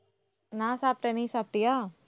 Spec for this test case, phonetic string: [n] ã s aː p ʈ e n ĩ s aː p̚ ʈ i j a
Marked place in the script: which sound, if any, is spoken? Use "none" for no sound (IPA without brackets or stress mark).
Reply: n